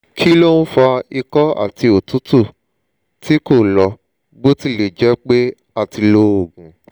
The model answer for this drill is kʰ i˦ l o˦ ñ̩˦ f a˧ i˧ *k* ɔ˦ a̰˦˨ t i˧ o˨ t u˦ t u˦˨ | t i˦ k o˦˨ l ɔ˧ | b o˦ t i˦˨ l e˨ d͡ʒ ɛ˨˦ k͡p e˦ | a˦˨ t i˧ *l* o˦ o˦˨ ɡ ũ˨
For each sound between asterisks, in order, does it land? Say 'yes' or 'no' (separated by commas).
yes, yes